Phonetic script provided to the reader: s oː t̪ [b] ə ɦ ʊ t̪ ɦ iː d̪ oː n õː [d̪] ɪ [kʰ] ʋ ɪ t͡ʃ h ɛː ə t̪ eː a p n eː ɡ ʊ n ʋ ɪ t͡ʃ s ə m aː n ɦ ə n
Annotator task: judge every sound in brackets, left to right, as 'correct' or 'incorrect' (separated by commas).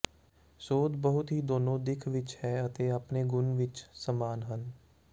correct, correct, correct